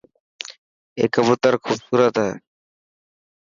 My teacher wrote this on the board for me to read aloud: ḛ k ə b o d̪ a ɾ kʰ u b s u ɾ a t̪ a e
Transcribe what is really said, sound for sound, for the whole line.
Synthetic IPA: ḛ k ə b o t̪ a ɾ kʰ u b s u ɾ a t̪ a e